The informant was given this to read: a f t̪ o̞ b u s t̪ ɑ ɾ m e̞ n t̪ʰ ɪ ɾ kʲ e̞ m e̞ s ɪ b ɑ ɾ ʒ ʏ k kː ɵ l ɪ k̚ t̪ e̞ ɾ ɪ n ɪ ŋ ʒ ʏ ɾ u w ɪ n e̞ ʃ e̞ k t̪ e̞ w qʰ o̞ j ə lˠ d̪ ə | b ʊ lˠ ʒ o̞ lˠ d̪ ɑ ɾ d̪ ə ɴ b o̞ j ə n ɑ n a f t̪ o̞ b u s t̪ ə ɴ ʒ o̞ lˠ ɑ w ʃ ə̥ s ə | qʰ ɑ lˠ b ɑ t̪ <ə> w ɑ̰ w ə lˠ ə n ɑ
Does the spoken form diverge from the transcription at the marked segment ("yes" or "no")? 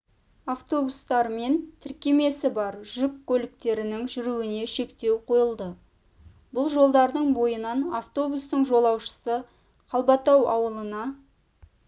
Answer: yes